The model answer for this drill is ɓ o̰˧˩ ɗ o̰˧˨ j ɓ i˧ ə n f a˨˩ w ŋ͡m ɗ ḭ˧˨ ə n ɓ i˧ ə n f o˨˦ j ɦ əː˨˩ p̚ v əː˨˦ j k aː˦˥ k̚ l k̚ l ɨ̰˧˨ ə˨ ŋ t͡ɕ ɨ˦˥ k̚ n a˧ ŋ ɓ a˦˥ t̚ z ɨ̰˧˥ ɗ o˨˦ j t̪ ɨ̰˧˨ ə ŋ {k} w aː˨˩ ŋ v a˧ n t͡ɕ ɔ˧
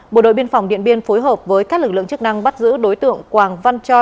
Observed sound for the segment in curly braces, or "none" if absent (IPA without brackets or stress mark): k